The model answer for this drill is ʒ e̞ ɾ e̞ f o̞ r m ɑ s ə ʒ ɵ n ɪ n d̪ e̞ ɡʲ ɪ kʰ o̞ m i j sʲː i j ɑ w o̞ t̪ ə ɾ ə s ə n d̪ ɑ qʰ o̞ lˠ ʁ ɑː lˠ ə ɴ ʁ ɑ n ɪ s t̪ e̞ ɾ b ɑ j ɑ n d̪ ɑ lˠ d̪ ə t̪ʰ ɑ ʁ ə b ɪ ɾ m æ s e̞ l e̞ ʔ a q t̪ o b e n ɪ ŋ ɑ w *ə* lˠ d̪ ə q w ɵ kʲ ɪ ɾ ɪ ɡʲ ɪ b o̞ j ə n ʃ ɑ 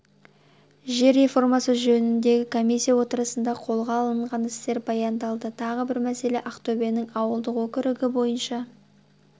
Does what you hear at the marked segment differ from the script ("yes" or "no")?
no